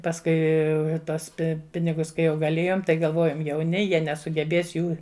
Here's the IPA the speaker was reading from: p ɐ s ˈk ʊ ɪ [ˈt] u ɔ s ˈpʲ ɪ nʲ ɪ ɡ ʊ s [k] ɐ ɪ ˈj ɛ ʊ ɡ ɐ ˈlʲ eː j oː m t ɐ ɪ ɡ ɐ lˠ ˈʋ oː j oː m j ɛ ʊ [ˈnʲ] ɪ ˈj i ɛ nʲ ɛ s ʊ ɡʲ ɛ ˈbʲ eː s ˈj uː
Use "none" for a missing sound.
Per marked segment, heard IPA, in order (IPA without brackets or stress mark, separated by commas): t, k, nʲ